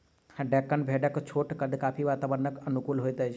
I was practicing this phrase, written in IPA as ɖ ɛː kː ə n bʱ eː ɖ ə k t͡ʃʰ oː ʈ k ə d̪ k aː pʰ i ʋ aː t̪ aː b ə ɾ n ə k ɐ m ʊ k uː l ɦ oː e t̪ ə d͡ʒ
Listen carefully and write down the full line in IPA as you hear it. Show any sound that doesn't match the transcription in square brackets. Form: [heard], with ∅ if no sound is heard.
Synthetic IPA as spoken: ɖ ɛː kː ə n bʱ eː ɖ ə k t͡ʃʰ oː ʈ k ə d̪ k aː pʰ i ʋ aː t̪ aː b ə ɾ n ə k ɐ [n] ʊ k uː l ɦ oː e t̪ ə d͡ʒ